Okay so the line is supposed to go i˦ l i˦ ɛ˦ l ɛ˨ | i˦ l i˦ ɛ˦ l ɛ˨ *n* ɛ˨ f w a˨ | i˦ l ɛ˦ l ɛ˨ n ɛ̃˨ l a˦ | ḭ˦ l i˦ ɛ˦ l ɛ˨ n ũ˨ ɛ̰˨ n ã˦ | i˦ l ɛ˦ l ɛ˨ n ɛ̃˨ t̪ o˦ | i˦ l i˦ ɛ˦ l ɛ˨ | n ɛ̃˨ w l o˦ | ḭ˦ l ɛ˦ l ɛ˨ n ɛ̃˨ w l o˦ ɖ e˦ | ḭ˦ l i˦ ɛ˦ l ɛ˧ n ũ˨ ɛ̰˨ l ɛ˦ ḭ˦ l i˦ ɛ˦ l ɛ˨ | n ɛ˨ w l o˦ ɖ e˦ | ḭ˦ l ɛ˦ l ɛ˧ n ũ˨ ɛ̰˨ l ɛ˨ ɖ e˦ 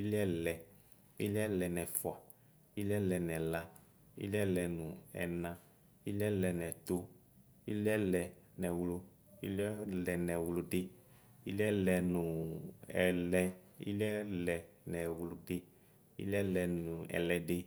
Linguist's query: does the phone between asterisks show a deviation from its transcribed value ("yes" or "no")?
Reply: no